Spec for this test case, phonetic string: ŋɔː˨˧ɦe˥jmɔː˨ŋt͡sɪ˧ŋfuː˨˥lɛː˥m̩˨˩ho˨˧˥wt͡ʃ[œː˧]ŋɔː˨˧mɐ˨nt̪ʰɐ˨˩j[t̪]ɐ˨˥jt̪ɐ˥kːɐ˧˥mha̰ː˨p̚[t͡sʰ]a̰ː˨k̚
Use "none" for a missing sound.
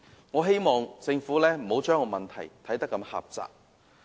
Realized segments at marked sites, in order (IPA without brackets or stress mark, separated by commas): œː˥, t̪ʰ, t͡s